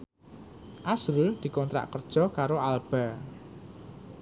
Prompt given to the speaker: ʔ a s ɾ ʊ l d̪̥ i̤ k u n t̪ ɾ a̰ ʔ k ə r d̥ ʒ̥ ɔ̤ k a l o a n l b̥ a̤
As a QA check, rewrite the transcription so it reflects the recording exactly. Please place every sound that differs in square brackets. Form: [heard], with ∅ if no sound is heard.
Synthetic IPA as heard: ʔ a s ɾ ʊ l d̪̥ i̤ k [ɔ] n t̪ ɾ a̰ ʔ k ə r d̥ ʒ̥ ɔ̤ k a [ɾ] o a [∅] l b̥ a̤